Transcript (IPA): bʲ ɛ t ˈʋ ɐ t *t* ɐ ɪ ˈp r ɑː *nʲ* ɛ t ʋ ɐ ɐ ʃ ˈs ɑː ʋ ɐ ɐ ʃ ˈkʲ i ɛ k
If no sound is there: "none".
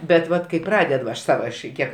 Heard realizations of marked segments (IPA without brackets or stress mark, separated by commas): k, dʲ